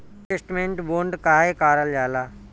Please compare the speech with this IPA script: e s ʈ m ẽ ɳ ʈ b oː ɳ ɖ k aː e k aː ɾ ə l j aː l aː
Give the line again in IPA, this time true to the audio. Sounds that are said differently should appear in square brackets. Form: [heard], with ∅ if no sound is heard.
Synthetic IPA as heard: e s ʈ m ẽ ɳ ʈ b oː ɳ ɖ k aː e k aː ɾ ə l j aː l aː